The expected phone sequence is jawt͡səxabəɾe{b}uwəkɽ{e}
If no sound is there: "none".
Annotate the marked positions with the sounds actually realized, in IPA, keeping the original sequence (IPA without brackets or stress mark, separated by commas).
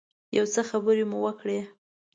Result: m, e